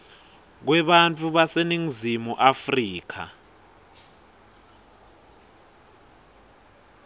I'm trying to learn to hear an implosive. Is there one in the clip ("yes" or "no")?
yes